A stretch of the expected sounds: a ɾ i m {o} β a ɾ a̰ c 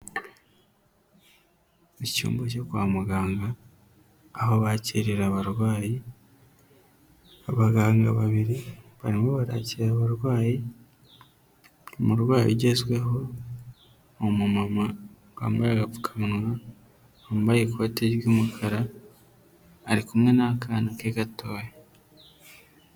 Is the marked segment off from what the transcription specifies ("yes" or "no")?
no